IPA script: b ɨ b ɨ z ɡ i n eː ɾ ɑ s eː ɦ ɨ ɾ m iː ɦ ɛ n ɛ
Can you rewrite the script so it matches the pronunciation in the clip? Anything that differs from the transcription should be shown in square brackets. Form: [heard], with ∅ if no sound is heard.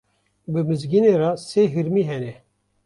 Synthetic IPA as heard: b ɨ [m] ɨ z ɡ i n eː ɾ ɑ s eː ɦ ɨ ɾ m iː ɦ ɛ n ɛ